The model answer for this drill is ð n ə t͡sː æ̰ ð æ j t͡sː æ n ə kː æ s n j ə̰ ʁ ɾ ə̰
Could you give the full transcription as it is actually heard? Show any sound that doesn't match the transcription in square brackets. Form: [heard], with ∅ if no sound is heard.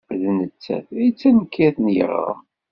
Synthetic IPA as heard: ð n ə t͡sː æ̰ [θ] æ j t͡sː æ n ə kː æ [θ] n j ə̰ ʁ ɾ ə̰